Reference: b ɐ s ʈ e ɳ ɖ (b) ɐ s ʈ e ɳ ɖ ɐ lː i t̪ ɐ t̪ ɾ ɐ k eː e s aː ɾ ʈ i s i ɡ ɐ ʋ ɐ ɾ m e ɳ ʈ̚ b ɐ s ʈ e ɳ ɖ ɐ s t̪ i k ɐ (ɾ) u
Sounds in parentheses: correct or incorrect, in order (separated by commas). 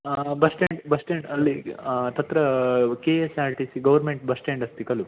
correct, incorrect